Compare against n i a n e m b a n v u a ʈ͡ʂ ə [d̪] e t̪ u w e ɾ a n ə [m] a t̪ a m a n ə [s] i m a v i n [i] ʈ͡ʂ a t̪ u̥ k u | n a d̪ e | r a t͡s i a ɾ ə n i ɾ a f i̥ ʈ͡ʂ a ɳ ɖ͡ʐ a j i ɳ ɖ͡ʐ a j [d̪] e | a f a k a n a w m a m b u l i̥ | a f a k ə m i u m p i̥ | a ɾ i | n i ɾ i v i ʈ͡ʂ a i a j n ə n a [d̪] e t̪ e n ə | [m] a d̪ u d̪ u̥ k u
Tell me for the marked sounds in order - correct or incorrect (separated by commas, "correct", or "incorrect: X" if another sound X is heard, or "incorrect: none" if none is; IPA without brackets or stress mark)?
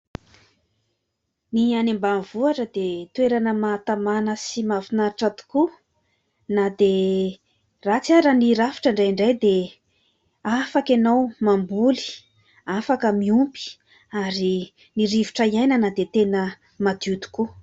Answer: correct, correct, correct, incorrect: a, correct, correct, correct